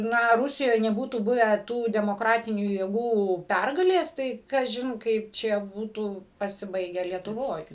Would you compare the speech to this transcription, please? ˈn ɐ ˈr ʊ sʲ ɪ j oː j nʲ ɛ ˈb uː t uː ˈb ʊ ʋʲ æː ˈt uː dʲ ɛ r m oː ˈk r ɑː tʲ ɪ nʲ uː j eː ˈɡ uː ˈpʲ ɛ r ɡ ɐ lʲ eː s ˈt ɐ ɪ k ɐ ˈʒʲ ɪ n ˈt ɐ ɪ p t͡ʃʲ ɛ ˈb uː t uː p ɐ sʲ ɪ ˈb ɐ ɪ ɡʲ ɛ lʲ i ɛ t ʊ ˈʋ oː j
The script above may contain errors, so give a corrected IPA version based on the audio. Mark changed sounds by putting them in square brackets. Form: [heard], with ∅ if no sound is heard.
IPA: ˈn ɐ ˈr ʊ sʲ ɪ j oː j nʲ ɛ ˈb uː t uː ˈb ʊ ʋʲ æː ˈt uː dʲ ɛ [∅] m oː ˈk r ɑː tʲ ɪ nʲ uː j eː ˈɡ uː ˈpʲ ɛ r ɡ ɐ lʲ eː s ˈt ɐ ɪ k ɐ ˈʒʲ ɪ n [ˈk] ɐ ɪ p t͡ʃʲ ɛ ˈb uː t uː p ɐ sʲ ɪ ˈb ɐ ɪ ɡʲ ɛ lʲ i ɛ t ʊ ˈʋ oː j